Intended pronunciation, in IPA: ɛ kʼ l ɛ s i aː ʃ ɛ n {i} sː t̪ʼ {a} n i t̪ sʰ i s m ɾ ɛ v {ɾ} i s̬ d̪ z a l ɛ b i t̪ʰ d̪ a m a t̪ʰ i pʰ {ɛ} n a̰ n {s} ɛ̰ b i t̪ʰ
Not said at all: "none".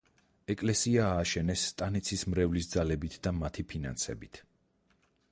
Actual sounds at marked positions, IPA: ɛ, a, l, i, s

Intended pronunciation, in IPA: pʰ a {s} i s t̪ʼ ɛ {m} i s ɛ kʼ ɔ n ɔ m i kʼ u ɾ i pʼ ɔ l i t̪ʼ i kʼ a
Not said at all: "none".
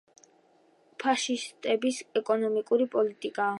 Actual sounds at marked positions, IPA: ʃ, b

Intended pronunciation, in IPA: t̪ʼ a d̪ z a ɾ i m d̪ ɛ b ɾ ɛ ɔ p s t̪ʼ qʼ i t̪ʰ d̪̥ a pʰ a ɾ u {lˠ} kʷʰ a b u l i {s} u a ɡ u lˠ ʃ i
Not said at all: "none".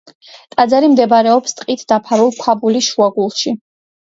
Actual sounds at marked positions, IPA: lˠ, ʃ

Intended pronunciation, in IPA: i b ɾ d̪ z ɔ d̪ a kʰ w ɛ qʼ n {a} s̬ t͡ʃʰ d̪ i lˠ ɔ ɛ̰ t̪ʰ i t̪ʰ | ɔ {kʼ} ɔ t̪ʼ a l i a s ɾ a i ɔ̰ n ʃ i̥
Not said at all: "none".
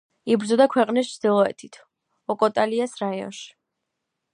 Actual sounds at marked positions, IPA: i, kʼ

